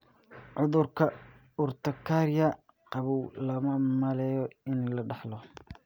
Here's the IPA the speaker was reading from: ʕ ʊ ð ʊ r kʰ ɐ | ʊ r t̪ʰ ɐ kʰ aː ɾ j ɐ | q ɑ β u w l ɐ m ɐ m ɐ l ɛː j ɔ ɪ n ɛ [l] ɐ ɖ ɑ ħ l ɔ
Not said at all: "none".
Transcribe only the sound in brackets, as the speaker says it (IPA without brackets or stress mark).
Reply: l